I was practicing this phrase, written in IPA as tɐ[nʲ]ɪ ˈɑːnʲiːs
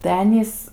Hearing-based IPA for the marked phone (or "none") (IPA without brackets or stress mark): none